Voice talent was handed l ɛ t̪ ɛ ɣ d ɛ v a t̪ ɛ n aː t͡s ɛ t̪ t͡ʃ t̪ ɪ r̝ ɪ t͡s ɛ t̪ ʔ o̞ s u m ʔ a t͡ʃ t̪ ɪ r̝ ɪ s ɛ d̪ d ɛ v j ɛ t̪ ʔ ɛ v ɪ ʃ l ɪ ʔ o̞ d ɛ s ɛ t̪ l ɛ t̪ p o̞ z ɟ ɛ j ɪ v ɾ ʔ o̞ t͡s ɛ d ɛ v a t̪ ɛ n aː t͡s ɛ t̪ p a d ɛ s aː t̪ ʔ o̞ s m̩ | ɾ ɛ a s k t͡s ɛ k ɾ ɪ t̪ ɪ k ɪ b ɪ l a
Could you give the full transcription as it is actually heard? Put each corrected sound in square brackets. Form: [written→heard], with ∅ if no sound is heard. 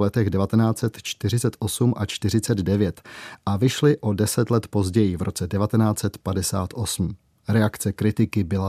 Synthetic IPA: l ɛ t̪ ɛ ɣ d ɛ v a t̪ ɛ n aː t͡s ɛ t̪ t͡ʃ t̪ ɪ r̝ ɪ t͡s ɛ t̪ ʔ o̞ s u m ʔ a t͡ʃ t̪ ɪ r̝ ɪ [s→t͡s] ɛ d̪ d ɛ v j ɛ t̪ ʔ [ɛ→a] v ɪ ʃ l ɪ ʔ o̞ d ɛ s ɛ t̪ l ɛ t̪ p o̞ z ɟ ɛ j ɪ v ɾ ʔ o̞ t͡s ɛ d ɛ v a t̪ ɛ n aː t͡s ɛ t̪ p a d ɛ s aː t̪ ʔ o̞ s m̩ | ɾ ɛ a [s→∅] k t͡s ɛ k ɾ ɪ t̪ ɪ k ɪ b ɪ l a